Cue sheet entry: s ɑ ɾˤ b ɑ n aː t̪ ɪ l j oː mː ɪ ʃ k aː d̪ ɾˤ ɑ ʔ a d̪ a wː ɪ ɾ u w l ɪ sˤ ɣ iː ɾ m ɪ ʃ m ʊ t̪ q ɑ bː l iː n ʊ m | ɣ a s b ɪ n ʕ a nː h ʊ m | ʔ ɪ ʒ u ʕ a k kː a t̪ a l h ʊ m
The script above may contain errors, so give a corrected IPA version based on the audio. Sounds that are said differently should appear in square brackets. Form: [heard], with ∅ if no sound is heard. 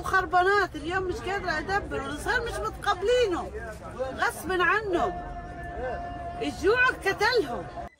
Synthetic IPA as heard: [x] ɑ ɾˤ b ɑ n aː t̪ ɪ l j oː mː ɪ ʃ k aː d̪ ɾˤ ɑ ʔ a d̪ a [bː] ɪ ɾ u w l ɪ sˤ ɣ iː ɾ m ɪ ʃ m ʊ t̪ q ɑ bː l iː n ʊ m | ɣ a s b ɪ n ʕ a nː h ʊ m | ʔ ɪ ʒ [uː] ʕ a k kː a t̪ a l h ʊ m